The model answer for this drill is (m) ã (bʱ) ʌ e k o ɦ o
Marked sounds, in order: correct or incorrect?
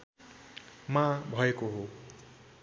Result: correct, correct

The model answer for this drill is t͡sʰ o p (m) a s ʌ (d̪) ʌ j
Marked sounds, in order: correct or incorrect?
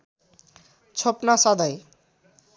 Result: incorrect: n, correct

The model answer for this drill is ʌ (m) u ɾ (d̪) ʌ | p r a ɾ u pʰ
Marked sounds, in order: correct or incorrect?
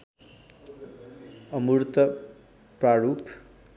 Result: correct, incorrect: t̪

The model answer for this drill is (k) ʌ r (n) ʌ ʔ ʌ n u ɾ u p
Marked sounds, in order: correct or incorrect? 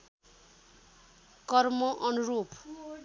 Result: correct, incorrect: m

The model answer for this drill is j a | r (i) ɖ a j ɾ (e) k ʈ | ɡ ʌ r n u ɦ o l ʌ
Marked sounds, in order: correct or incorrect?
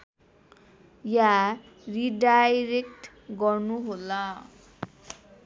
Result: correct, correct

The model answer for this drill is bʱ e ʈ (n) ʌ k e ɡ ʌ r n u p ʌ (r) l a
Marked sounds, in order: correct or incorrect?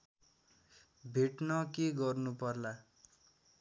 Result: correct, correct

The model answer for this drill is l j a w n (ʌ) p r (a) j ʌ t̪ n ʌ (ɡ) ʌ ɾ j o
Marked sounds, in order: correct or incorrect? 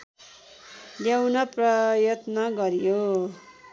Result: correct, incorrect: ʌ, correct

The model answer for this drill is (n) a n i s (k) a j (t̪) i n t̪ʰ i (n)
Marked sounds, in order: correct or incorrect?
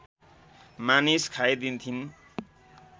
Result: incorrect: m, incorrect: kʰ, incorrect: d̪, correct

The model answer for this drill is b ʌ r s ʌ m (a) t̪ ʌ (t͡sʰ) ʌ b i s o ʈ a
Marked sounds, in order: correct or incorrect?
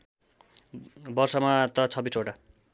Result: correct, correct

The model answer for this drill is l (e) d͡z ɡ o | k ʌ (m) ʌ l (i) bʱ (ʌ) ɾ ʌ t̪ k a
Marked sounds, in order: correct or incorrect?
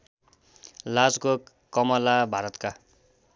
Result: incorrect: a, correct, incorrect: a, incorrect: a

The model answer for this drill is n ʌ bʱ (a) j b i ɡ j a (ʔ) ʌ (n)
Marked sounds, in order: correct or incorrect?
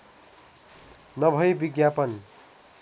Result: incorrect: ʌ, incorrect: p, correct

